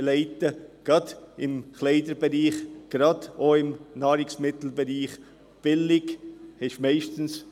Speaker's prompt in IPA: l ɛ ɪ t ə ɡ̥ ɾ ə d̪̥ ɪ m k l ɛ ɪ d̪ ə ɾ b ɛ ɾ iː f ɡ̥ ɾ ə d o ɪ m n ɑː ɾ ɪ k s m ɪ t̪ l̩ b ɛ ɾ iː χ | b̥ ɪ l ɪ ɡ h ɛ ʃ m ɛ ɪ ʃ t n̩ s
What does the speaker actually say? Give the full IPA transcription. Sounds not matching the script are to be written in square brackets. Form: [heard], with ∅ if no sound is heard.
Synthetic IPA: l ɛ ɪ t ə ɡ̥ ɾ [ɑ] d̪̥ ɪ m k l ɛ ɪ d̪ ə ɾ b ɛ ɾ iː [χ] ɡ̥ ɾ [ɑ] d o ɪ m n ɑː ɾ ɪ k s m ɪ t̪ l̩ b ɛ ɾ iː χ | b̥ ɪ l ɪ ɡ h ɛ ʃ m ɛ ɪ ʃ t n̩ s